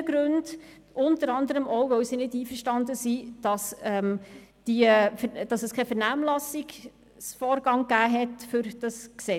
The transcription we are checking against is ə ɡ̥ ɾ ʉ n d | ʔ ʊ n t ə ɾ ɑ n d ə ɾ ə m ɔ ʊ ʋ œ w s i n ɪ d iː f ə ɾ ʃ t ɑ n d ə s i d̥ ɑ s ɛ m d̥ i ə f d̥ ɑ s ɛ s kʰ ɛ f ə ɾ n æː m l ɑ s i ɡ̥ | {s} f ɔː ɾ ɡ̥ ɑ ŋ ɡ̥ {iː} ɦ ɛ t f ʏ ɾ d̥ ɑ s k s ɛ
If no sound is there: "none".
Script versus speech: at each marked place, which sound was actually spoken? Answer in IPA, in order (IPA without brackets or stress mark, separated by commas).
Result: s, æː